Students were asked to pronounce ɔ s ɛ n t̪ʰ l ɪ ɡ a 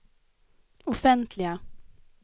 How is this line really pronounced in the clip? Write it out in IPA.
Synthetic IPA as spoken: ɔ f ɛ n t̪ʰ l ɪ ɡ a